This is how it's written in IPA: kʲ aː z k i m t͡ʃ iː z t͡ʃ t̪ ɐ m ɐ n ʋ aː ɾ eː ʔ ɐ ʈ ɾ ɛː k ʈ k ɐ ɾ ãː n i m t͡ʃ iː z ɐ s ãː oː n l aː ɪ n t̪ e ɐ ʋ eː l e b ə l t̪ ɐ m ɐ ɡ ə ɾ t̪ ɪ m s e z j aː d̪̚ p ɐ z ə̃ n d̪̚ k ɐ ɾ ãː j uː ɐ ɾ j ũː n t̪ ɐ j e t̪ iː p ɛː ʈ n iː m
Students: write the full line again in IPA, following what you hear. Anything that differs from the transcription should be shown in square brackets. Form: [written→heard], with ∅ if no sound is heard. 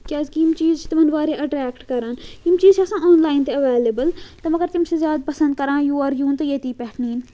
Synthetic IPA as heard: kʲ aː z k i m t͡ʃ iː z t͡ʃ t̪ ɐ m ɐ n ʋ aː ɾ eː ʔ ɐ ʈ ɾ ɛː k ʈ k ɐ ɾ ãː n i m t͡ʃ iː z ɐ s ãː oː n l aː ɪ n t̪ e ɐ ʋ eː l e b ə l t̪ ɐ m ɐ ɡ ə ɾ t̪ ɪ m s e z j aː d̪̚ p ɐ [z→s] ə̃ n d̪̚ k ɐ ɾ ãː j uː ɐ ɾ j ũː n t̪ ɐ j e t̪ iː p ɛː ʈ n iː [m→n]

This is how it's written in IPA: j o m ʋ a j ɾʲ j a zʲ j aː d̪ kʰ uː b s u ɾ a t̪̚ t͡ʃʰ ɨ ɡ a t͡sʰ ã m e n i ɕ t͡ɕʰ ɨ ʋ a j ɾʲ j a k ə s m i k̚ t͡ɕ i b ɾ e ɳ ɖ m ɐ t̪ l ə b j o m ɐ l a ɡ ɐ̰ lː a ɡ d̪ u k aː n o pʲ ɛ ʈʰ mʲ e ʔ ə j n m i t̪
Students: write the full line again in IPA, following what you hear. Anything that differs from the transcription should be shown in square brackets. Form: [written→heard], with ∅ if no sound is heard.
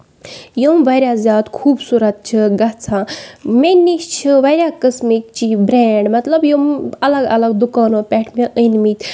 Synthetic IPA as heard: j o m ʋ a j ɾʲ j a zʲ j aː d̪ kʰ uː b s u ɾ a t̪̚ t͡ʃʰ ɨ ɡ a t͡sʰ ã m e n i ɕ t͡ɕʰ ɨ ʋ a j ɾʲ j a k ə s m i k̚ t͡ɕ i b ɾ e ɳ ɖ m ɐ t̪ l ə b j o m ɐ l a ɡ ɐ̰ [lː→l] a ɡ d̪ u k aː n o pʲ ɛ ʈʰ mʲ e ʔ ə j n m i t̪

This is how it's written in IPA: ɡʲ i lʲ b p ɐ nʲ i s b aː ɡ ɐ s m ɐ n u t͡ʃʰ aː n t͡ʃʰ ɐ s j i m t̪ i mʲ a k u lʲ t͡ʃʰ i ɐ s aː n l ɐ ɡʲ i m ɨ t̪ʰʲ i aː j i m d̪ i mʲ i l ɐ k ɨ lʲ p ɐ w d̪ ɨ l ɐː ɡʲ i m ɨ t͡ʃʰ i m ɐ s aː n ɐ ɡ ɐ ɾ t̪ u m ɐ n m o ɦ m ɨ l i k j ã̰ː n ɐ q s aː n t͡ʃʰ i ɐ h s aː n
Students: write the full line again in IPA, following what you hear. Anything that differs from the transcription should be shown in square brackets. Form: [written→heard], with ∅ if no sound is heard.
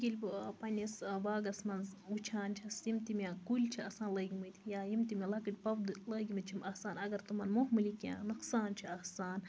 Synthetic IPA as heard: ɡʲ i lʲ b p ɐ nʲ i s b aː ɡ ɐ s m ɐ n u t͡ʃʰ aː n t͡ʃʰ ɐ s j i m t̪ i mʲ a k u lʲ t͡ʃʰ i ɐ s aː n l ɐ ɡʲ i m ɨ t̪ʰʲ [i→j] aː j i m [d̪→t̪] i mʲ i l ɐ k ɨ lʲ p ɐ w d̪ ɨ l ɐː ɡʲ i m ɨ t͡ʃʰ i m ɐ s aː n ɐ ɡ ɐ ɾ t̪ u m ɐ n m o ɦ m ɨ l i k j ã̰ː n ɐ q s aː n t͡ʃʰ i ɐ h s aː n

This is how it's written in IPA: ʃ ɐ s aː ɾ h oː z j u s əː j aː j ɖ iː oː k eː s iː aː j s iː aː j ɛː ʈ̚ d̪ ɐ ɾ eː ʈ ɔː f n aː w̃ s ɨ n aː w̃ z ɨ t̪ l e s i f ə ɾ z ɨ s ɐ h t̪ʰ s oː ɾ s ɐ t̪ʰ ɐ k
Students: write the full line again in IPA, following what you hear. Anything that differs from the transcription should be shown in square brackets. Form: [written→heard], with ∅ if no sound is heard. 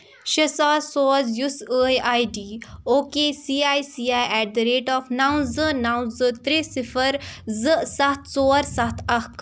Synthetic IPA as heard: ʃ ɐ s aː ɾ [h→s] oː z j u s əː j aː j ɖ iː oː k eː s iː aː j s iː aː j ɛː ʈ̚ d̪ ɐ ɾ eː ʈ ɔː f n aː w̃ [s→z] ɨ n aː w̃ z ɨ t̪ [l→ɾ] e s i f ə ɾ z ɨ s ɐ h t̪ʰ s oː ɾ s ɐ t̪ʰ ɐ k

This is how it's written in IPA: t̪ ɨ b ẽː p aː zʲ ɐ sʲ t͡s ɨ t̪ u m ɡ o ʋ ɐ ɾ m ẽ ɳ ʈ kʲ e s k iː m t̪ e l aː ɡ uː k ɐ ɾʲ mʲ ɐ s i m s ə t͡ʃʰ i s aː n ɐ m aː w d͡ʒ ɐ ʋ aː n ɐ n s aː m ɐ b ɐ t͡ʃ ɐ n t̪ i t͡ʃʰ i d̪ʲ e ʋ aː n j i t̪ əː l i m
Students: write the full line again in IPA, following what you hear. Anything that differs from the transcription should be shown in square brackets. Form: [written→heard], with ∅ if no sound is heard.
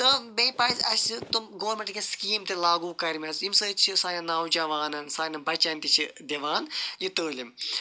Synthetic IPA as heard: t̪ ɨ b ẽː p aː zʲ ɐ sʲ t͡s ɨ t̪ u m ɡ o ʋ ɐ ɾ m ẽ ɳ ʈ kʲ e s k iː m t̪ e l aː ɡ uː k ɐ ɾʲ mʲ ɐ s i m s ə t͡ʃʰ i s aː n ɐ [m→n] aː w d͡ʒ ɐ ʋ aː n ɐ n s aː [m→n] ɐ b ɐ t͡ʃ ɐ n t̪ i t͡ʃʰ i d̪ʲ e ʋ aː n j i t̪ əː l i m

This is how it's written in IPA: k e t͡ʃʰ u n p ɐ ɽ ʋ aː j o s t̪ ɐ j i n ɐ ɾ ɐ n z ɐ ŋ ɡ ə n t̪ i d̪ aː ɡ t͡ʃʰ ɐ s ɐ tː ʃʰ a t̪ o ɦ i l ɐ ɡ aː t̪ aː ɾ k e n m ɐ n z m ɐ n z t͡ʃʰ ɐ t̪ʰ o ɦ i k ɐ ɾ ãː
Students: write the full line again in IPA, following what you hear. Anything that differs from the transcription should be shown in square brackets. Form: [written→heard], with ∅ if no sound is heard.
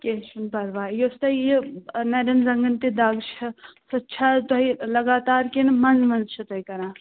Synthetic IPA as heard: k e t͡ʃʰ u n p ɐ [ɽ→ɾ] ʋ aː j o s t̪ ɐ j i n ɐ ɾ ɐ n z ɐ ŋ ɡ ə n t̪ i d̪ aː ɡ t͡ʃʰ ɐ s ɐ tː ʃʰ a t̪ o ɦ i l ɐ ɡ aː t̪ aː ɾ k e n m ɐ n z m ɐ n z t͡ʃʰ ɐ [t̪ʰ→t̪] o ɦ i k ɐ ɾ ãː

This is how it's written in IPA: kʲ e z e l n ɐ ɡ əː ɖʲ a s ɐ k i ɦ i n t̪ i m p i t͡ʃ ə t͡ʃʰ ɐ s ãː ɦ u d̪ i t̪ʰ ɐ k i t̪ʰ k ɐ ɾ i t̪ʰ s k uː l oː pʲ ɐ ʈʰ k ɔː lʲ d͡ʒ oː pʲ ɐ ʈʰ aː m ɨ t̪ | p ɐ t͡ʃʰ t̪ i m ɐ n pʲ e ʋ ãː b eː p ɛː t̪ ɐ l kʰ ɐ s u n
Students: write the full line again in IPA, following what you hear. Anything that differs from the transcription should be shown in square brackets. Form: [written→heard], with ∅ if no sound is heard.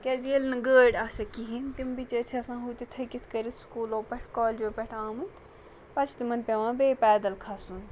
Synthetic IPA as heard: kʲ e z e l n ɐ ɡ əː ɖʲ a s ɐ k i ɦ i n t̪ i m [p→b] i t͡ʃ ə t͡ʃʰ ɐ s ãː ɦ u [d̪→t̪] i t̪ʰ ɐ k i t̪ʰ k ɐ ɾ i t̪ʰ s k uː l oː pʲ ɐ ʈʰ k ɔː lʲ d͡ʒ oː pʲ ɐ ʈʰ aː m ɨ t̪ | p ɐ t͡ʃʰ t̪ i m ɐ n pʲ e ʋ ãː b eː p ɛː [t̪→d̪] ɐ l kʰ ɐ s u n

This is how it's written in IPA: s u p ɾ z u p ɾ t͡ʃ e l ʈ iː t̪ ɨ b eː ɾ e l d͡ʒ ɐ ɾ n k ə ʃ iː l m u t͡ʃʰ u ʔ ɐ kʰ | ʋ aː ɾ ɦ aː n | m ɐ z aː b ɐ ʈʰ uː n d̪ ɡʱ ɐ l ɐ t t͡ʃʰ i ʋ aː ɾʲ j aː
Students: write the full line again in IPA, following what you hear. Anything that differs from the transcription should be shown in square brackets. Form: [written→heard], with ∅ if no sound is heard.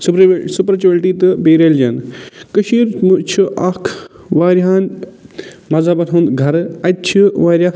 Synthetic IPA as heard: s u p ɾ [z→s] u p ɾ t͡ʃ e l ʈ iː t̪ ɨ b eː ɾ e l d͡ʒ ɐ [ɾ→∅] n k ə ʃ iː [l→ɾ] m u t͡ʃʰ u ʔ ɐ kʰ | ʋ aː ɾ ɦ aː n | m ɐ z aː b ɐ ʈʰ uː n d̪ ɡʱ ɐ [l→ɾ] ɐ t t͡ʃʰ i ʋ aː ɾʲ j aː

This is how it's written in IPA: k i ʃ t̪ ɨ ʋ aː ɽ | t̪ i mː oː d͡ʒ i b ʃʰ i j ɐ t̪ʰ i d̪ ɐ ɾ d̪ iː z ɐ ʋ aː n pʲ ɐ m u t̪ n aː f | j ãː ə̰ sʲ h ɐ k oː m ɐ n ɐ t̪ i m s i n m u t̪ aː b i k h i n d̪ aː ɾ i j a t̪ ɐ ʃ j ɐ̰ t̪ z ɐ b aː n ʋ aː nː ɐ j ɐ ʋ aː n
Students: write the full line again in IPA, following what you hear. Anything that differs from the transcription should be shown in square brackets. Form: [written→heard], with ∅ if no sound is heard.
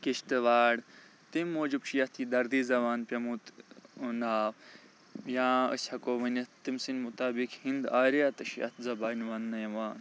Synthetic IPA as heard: k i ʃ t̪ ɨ ʋ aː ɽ | t̪ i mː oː d͡ʒ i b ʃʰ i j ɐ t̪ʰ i d̪ ɐ ɾ d̪ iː z ɐ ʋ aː n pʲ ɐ m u t̪ n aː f | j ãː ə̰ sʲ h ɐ k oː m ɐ n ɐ t̪ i m s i n m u t̪ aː b i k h i n d̪ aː ɾ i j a t̪ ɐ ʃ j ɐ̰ t̪ z ɐ b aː n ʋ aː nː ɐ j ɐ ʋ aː n

